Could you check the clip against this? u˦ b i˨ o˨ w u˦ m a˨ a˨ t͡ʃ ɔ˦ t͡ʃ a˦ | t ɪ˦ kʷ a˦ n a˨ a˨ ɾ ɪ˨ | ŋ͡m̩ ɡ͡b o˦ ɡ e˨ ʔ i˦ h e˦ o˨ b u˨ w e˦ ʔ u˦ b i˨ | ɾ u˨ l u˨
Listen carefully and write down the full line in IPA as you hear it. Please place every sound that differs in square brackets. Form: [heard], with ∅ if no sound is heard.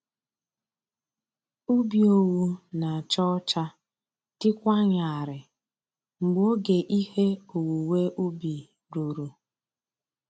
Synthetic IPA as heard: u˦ b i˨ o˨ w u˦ [n] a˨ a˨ t͡ʃ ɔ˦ t͡ʃ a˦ | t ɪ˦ kʷ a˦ [ɲ] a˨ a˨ ɾ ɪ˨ | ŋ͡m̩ ɡ͡b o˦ ɡ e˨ ʔ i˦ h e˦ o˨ [w] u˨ w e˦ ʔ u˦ b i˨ | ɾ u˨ [ɾ] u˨